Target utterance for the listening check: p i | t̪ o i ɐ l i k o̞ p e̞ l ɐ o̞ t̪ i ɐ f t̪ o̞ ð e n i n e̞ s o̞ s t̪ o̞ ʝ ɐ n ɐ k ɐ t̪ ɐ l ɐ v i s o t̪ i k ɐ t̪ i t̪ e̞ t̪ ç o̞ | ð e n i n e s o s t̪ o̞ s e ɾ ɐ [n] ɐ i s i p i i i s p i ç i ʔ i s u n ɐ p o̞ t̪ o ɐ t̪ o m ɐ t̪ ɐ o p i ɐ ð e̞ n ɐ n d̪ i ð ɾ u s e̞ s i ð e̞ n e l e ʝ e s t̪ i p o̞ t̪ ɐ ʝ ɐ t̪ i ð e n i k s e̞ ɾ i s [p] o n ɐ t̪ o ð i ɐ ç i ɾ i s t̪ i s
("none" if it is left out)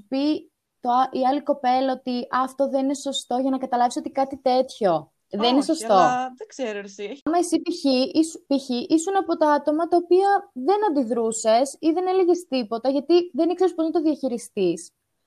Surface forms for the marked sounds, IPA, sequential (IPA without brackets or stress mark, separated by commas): m, p